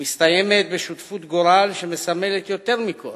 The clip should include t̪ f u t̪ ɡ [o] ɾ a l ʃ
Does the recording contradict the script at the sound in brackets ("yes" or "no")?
no